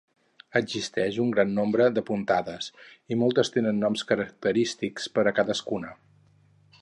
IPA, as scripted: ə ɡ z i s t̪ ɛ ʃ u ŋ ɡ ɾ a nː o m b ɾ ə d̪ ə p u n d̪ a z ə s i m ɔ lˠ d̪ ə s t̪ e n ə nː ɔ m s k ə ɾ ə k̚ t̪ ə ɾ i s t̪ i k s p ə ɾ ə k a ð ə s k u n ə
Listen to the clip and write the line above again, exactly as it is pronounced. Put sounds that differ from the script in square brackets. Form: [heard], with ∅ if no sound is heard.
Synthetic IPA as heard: ə ɡ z i s t̪ ɛ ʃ u ŋ ɡ ɾ a nː o m b ɾ ə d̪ ə p u n [t̪] a [ð] ə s i m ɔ lˠ [t̪] ə s t̪ e n ə nː ɔ m s k ə ɾ ə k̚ t̪ ə ɾ i s t̪ i k s p ə ɾ ə k a ð ə s k u n ə